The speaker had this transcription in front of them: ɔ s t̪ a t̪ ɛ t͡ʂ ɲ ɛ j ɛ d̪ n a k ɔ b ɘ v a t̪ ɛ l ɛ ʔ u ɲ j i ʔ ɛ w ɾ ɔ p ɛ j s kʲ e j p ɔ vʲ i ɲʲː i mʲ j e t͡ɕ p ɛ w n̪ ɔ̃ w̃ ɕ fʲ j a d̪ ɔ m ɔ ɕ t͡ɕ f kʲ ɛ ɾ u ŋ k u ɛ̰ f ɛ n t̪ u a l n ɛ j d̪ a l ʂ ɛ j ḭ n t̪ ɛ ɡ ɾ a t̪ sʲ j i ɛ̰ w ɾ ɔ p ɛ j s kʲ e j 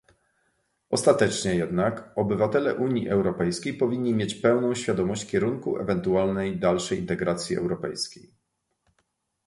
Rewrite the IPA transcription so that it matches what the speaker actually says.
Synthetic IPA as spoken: ɔ s t̪ a t̪ ɛ t͡ʂ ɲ ɛ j ɛ d̪ n a k ɔ b ɘ v a t̪ ɛ l ɛ ʔ u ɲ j i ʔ ɛ w ɾ ɔ p ɛ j s kʲ e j p ɔ vʲ i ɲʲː i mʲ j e t͡ɕ p ɛ w n̪ ɔ̃ w̃ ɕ fʲ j a d̪ ɔ m ɔ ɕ t͡ɕ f kʲ ɛ ɾ u ŋ k u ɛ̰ v ɛ n t̪ u a l n ɛ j d̪ a l ʂ ɛ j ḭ n t̪ ɛ ɡ ɾ a t̪ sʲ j i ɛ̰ w ɾ ɔ p ɛ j s kʲ e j

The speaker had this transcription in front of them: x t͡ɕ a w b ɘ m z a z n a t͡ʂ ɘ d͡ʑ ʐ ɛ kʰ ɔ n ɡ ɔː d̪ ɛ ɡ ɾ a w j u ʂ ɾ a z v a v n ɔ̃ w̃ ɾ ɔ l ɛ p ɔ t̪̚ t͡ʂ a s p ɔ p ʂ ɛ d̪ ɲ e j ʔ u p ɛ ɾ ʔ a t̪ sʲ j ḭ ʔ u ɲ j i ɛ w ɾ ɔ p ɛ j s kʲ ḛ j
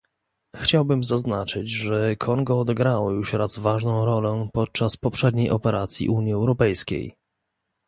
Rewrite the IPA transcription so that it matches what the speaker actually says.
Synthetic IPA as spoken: x t͡ɕ a w b ɘ m z a z n a t͡ʂ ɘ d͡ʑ ʐ ɛ kʰ ɔ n ɡ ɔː d̪ ɛ ɡ ɾ a w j u ʂ ɾ a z v a ʐ n ɔ̃ w̃ ɾ ɔ l ɛ p ɔ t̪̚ t͡ʂ a s p ɔ p ʂ ɛ d̪ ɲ e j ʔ ɔ p ɛ ɾ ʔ a t̪ sʲ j ḭ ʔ u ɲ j i ɛ w ɾ ɔ p ɛ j s kʲ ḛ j

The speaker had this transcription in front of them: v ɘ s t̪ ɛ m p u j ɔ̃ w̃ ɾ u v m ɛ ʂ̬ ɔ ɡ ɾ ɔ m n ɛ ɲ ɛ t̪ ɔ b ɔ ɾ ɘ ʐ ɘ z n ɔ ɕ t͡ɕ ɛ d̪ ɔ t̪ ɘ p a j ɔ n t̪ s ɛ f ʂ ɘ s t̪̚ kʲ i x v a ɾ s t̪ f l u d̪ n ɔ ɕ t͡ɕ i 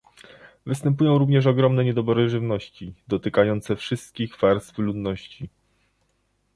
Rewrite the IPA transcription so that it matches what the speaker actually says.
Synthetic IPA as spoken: v ɘ s t̪ ɛ m p u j ɔ̃ w̃ ɾ u v ɲ ɛ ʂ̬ ɔ ɡ ɾ ɔ m n ɛ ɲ ɛ d̪ ɔ b ɔ ɾ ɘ ʐ ɘ v n ɔ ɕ t͡ɕ i d̪ ɔ t̪ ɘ k a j ɔ n t̪ s ɛ f ʂ ɘ s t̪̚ kʲ i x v a ɾ s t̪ f l u d̪ n ɔ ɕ t͡ɕ i

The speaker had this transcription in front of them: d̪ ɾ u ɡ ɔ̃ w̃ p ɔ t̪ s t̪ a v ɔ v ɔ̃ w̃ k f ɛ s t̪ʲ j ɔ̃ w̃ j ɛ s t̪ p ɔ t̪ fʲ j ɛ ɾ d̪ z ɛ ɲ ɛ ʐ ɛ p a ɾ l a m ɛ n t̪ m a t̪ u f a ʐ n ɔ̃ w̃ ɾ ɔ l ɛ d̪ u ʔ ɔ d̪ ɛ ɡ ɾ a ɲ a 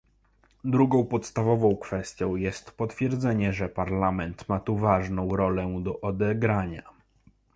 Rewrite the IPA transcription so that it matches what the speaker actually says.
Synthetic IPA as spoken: d̪ ɾ u ɡ ɔ̃ w̃ p ɔ t̪ s t̪ a v ɔ v ɔ̃ w̃ k f ɛ s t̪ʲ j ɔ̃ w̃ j ɛ s t̪ p ɔ t̪ fʲ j ɛ ɾ d̪ z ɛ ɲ ɛ ʐ ɛ p a ɾ l a m ɛ n t̪ m a t̪ u v a ʐ n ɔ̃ w̃ ɾ ɔ l ɛ d̪ ɔ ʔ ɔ d̪ ɛ ɡ ɾ a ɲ a

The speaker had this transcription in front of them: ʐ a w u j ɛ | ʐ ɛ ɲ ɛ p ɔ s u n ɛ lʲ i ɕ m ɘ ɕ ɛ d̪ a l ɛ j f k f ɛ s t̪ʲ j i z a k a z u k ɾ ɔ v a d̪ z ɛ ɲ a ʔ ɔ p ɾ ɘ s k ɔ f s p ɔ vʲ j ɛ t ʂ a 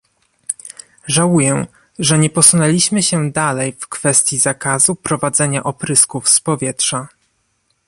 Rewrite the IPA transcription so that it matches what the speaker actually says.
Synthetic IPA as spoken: ʐ a w u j ɛ | ʐ ɛ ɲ ɛ p ɔ s u n ɛ lʲ i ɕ m ɘ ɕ ɛ d̪ a l ɛ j f k f ɛ s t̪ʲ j i z a k a z u p ɾ ɔ v a d̪ z ɛ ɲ a ʔ ɔ p ɾ ɘ s k u f s p ɔ vʲ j ɛ t ʂ a

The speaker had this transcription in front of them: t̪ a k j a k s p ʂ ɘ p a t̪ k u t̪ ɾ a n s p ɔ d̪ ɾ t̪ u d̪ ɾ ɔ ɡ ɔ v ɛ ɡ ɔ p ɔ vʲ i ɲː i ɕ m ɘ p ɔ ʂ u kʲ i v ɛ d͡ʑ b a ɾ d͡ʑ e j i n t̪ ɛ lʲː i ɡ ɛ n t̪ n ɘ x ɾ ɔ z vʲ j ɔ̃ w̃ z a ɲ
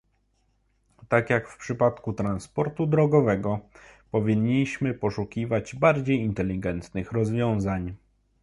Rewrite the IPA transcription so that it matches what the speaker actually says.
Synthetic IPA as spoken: t̪ a k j a k f p ʂ ɘ p a t̪ k u t̪ ɾ a n s p ɔ ɾ t̪ u d̪ ɾ ɔ ɡ ɔ v ɛ ɡ ɔ p ɔ vʲ i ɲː i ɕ m ɘ p ɔ ʂ u kʲ i v a d͡ʑ b a ɾ d͡ʑ e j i n t̪ ɛ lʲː i ɡ ɛ n t̪ n ɘ x ɾ ɔ z vʲ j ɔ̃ w̃ z a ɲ

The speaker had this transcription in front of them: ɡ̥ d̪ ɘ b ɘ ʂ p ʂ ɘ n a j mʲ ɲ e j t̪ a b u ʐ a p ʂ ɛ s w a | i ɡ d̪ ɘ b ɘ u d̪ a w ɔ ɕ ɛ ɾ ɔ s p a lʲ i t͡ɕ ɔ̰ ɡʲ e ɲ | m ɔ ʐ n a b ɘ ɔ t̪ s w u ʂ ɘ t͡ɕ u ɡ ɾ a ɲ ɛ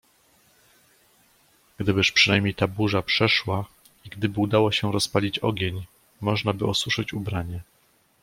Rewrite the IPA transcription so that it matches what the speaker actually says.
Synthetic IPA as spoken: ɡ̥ d̪ ɘ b ɘ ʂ p ʂ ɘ n a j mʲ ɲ e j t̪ a b u ʐ a p ʂ ɛ ʂ w a | i ɡ d̪ ɘ b ɘ u d̪ a w ɔ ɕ ɛ ɾ ɔ s p a lʲ i t͡ɕ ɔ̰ ɡʲ e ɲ | m ɔ ʐ n a b ɘ ɔ s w u ʂ ɘ t͡ɕ u b ɾ a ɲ ɛ

